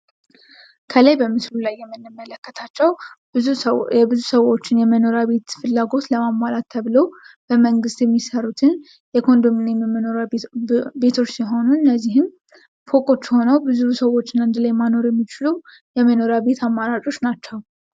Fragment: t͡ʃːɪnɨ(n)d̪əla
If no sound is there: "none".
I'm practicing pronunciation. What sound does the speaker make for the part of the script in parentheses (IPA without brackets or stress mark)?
n